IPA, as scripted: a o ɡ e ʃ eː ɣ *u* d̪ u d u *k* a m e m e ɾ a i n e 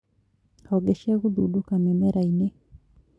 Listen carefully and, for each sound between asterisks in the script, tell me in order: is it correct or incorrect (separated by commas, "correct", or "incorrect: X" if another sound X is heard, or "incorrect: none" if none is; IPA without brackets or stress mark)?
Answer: correct, correct